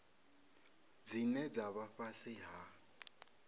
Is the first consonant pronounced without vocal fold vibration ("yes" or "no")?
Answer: no